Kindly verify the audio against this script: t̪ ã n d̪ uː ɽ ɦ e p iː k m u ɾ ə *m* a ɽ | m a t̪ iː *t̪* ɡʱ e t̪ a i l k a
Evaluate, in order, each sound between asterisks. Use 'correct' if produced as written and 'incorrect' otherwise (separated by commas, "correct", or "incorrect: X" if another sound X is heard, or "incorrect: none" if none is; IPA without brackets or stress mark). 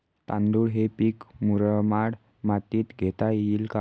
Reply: correct, correct